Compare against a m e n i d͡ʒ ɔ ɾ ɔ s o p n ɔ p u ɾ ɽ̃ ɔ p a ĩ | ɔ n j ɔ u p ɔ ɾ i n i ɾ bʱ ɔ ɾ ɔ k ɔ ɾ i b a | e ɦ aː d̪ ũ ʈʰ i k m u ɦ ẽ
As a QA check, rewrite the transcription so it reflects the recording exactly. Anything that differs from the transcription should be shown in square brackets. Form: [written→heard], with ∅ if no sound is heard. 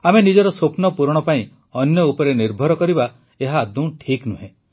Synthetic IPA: a m e n i d͡ʒ ɔ ɾ ɔ s o p n ɔ p u ɾ ɽ̃ ɔ p a ĩ | ɔ n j ɔ u p ɔ ɾ [i→e] n i ɾ bʱ ɔ ɾ ɔ k ɔ ɾ i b a | e ɦ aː d̪ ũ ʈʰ i k [m→n] u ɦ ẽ